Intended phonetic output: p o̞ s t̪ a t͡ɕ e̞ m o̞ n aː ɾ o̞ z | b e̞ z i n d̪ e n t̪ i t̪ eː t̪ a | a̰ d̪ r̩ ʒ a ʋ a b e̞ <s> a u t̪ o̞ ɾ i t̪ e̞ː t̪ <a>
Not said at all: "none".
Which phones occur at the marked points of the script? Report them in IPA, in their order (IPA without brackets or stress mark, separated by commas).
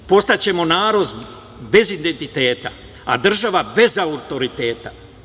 z, a